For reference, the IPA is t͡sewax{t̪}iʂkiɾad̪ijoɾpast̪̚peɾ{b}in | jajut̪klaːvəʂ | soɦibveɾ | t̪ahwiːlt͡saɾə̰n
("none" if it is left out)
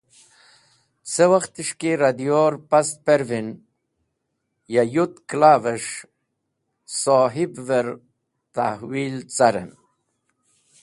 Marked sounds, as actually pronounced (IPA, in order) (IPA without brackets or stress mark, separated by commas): t̪, v